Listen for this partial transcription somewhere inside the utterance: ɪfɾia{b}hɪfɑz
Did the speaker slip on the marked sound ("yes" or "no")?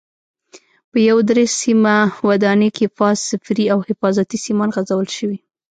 yes